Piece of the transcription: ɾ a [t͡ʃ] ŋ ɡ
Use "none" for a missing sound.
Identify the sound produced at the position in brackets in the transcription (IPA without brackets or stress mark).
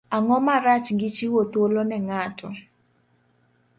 t͡ʃ